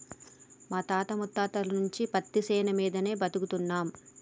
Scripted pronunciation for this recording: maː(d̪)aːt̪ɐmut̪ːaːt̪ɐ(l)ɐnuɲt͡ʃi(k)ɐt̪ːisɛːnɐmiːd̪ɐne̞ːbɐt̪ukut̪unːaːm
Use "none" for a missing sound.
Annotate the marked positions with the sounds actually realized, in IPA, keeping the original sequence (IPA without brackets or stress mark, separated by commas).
t̪, l, p